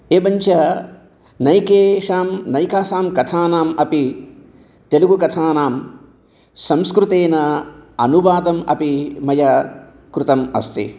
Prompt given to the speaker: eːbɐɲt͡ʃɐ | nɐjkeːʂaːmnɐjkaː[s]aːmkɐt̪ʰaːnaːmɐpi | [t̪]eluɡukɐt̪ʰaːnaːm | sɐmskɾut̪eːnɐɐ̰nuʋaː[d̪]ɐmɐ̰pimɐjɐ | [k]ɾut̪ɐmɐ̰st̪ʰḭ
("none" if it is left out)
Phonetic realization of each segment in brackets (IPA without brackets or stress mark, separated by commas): s, t̪, d̪, k